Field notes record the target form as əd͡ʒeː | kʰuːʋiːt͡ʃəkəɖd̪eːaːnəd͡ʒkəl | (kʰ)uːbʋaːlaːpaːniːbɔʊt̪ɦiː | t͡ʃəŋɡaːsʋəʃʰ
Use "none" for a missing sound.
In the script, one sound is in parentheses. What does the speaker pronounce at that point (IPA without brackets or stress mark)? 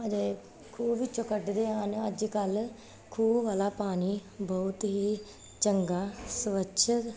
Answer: kʰ